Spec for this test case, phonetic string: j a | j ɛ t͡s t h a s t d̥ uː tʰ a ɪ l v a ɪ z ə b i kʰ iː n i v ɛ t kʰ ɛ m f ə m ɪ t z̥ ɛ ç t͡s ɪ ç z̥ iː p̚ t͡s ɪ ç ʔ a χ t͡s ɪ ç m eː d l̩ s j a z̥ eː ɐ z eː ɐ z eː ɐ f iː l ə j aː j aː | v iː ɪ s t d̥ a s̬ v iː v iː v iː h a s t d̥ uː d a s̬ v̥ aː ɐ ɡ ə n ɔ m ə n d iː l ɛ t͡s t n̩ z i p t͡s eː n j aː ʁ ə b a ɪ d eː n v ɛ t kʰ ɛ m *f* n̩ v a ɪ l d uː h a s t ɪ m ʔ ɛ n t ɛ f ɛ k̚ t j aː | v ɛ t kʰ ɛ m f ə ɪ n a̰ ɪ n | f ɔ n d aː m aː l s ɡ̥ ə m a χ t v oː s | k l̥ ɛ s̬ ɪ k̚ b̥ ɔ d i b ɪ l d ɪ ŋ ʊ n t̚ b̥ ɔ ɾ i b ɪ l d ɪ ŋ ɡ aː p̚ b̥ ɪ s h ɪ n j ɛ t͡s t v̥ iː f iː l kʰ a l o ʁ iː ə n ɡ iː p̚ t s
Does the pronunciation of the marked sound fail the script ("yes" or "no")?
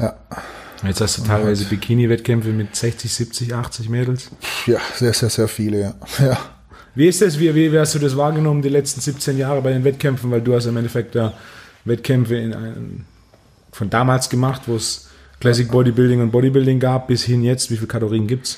no